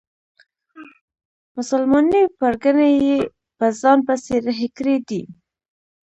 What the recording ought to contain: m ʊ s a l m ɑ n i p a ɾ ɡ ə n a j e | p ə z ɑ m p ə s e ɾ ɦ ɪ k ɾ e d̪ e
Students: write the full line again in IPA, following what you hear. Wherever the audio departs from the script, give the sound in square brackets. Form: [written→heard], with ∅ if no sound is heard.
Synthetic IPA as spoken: m ʊ s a l m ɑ n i p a ɾ ɡ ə n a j e | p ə z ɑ [m→n] p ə s e ɾ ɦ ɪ k ɾ e d̪ [e→i]